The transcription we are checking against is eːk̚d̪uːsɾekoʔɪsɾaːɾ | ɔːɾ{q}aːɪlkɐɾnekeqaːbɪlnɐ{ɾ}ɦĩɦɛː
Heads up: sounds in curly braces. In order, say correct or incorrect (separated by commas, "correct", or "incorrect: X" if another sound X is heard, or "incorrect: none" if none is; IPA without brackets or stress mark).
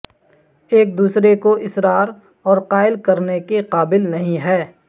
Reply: correct, incorrect: none